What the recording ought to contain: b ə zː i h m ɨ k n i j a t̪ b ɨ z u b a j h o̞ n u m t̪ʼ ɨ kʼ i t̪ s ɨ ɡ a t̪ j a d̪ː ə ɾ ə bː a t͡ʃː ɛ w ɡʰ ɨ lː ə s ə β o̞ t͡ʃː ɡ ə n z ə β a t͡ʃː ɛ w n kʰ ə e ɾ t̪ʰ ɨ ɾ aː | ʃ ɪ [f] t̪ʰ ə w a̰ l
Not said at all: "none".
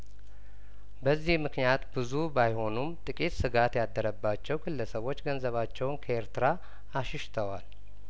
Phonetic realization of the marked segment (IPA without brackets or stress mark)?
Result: ʃ